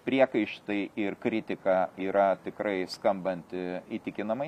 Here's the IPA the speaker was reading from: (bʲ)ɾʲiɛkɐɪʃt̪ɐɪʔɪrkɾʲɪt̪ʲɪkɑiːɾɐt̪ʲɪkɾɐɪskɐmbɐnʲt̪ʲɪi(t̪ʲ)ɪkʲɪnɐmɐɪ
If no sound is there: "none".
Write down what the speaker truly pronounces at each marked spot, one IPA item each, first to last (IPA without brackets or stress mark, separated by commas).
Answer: pʲ, t̪ʲ